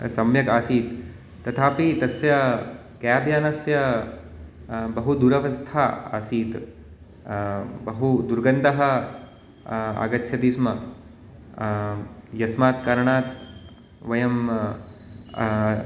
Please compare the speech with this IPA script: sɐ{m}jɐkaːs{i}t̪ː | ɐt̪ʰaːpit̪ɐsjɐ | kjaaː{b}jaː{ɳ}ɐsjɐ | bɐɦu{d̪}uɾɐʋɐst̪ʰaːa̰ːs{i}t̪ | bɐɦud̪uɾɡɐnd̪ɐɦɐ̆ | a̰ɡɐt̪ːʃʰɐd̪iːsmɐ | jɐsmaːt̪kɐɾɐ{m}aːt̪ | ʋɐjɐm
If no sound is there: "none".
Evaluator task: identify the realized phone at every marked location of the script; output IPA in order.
m, iː, b, n, d̪, iː, ɳ

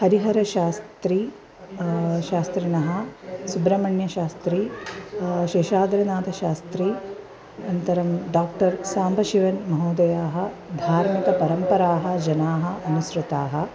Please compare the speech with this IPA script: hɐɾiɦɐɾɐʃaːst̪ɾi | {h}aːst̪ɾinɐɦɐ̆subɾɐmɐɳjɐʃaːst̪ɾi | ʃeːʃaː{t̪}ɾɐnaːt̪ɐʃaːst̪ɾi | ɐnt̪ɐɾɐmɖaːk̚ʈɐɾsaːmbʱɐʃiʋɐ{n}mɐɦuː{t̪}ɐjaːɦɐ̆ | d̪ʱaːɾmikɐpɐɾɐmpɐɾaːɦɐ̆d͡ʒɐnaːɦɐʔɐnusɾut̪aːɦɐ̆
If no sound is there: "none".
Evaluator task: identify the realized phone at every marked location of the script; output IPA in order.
ʃ, d̪, n, d̪

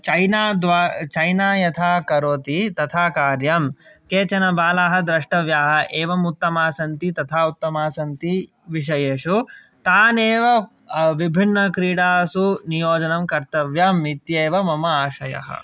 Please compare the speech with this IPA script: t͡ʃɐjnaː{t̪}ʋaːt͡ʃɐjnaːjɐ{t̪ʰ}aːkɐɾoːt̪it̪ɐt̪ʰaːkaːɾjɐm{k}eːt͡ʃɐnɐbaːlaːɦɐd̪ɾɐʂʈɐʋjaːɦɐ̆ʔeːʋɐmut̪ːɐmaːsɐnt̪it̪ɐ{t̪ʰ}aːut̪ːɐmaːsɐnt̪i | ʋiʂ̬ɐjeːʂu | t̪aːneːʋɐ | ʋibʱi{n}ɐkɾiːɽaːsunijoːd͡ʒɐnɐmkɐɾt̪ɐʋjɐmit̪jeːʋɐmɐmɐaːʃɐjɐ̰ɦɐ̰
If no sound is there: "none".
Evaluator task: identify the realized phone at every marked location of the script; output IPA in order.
d̪, t̪ʰ, k, t̪ʰ, nː

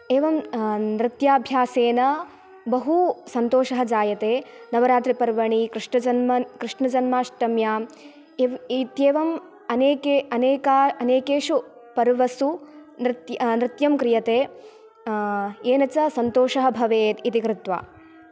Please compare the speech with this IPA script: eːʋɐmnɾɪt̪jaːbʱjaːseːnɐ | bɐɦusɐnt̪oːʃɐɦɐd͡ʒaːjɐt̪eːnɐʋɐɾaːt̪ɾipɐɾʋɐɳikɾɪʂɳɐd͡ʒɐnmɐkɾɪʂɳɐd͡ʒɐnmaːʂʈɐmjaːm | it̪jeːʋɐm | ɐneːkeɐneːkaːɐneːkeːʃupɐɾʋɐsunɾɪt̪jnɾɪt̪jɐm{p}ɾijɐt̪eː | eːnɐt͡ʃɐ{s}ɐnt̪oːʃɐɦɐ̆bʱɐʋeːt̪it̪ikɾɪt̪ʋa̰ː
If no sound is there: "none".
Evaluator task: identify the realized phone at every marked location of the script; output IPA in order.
k, s

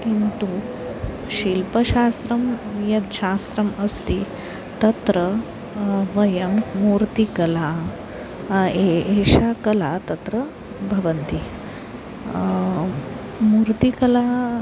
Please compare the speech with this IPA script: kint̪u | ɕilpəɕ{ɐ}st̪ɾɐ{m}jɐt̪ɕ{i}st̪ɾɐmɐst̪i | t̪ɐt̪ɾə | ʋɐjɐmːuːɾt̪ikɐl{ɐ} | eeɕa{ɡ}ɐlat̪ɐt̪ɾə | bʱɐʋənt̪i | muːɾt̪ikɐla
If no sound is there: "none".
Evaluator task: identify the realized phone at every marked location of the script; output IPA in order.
a, m, a, a, k

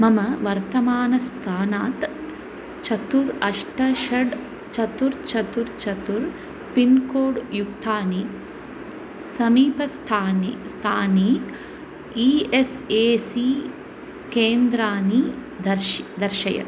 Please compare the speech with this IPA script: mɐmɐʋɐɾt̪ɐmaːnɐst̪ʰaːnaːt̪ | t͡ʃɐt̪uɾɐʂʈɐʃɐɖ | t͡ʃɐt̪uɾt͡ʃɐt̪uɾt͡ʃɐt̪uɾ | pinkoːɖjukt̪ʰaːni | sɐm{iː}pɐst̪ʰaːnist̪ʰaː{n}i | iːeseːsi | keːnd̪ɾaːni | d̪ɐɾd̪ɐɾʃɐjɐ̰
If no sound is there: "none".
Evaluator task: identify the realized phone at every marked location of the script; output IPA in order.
iː, n

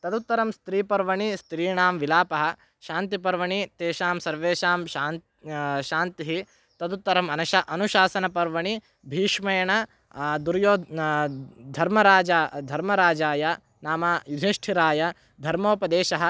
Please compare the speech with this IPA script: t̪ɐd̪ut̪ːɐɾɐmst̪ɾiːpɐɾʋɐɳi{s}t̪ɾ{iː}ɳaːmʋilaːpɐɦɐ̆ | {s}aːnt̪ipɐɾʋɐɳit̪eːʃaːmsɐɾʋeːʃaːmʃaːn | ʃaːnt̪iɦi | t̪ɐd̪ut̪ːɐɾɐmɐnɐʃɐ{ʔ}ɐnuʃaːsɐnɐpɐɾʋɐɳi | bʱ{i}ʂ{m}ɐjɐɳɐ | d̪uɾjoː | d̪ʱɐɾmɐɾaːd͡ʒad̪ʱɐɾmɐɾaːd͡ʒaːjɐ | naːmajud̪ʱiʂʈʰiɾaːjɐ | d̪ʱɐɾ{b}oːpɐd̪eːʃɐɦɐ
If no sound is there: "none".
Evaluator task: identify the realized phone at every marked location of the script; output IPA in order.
s, iː, ʃ, ʔ, iː, m, m

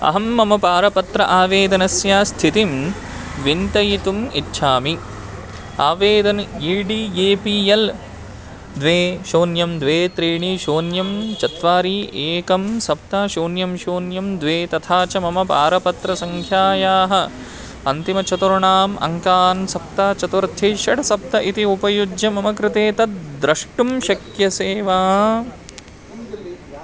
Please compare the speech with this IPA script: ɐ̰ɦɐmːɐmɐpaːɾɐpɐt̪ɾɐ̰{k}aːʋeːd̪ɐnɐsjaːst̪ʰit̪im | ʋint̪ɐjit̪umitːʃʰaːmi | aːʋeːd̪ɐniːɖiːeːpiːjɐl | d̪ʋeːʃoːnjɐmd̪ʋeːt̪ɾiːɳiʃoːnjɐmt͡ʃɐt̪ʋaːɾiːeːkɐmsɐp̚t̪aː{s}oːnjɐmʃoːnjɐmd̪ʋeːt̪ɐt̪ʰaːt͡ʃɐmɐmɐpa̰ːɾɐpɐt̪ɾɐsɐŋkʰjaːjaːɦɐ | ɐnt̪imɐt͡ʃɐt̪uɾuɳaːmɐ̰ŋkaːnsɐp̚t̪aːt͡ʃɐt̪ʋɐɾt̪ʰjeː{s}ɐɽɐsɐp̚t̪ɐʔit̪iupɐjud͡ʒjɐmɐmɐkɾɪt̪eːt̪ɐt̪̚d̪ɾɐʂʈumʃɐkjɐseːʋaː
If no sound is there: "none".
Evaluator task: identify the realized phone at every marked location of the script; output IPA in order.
ʔ, ʃ, ʃ

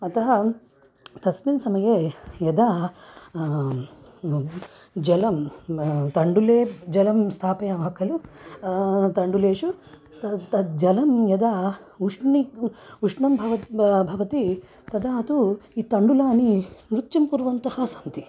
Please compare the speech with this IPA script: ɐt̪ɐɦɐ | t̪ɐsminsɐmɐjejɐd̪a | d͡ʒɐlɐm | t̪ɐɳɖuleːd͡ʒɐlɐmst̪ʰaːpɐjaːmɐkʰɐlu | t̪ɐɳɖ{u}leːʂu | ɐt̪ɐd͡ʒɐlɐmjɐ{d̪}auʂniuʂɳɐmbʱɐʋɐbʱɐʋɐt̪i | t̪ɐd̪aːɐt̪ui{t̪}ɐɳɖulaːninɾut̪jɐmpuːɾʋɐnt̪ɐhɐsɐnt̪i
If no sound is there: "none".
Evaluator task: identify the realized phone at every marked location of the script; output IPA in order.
u, d̪, t̪

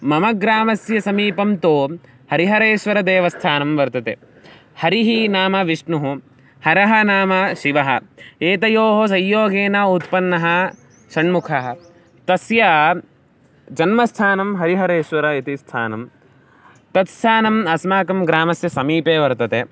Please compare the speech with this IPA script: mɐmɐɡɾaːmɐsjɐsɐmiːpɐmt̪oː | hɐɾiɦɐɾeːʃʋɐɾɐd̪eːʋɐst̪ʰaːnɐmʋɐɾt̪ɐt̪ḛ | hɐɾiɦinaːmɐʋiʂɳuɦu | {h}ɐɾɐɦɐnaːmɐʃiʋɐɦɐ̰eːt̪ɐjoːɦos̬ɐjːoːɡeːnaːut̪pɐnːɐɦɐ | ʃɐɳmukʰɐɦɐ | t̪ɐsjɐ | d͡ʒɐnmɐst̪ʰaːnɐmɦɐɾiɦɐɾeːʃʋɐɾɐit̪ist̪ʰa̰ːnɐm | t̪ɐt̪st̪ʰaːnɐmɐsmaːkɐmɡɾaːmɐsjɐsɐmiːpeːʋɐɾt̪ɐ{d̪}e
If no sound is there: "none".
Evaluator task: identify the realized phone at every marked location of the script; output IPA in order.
h, t̪

